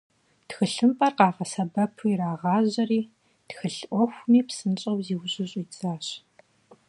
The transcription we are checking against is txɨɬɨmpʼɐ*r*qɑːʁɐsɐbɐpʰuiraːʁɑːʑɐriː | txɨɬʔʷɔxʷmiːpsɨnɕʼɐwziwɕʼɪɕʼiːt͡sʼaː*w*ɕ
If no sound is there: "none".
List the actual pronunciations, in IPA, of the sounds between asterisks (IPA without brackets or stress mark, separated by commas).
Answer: r, none